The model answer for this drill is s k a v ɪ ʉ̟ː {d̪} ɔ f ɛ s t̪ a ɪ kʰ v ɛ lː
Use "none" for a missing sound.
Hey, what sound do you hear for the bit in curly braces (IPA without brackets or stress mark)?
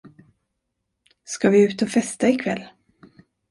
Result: t̪